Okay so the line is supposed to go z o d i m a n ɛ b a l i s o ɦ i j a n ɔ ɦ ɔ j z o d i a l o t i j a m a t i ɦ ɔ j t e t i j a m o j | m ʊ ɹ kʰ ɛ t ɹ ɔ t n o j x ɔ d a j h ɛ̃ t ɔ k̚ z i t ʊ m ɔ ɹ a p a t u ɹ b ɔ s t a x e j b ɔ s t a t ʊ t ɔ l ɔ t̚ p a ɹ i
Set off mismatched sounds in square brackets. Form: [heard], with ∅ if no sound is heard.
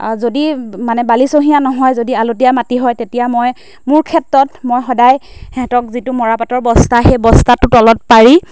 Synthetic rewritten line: z o d i m a n ɛ b a l i s o ɦ i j a n ɔ ɦ ɔ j z o d i a l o t i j a m a t i ɦ ɔ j t e t i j a m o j | m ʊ ɹ kʰ ɛ t ɹ ɔ t [m] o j x ɔ d a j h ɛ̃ t ɔ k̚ z i t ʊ m ɔ ɹ a p a t [ɔ] ɹ b ɔ s t a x e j b ɔ s t a t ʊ t ɔ l ɔ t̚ p a ɹ i